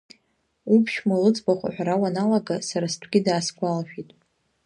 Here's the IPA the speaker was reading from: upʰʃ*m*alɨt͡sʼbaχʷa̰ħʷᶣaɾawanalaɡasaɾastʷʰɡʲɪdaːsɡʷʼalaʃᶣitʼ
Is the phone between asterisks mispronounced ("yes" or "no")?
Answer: no